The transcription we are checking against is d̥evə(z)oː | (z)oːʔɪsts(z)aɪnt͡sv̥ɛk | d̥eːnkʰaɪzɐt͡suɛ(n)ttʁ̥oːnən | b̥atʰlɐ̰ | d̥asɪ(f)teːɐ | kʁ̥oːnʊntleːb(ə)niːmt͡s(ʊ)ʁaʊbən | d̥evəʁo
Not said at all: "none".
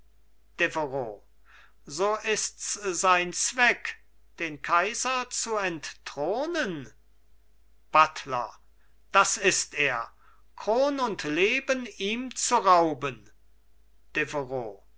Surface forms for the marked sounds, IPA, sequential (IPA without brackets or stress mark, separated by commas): ʁ, z, z, n, s, ə, u